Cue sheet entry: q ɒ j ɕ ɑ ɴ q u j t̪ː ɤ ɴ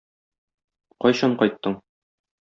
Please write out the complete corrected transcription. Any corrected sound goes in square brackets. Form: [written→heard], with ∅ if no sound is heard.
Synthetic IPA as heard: q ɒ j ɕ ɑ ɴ q [u→ɒ] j t̪ː ɤ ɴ